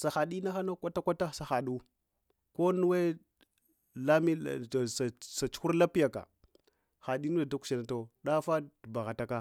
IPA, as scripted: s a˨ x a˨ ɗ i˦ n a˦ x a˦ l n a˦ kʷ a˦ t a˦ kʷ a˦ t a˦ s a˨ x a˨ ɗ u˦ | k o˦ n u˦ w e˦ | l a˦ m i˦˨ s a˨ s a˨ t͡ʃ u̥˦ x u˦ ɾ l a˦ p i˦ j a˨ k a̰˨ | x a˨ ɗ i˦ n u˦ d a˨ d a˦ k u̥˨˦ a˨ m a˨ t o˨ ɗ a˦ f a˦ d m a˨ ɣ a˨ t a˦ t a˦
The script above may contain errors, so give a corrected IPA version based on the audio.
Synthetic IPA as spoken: s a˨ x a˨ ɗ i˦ n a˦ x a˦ n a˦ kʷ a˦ t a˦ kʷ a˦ t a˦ s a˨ x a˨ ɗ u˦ | k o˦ n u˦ w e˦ | l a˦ m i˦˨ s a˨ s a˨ t͡ʃ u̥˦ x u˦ ɾ l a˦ p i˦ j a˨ k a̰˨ | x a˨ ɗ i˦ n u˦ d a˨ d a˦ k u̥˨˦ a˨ n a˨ t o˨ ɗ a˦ f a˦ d b a˨ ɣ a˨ t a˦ k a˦